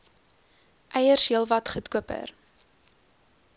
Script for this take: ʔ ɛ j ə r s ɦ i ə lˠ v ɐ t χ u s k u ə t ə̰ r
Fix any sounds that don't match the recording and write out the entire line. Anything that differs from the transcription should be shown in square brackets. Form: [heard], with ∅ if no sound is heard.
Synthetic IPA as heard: ʔ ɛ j ə r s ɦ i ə lˠ v ɐ t χ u [t] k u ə [p] ə̰ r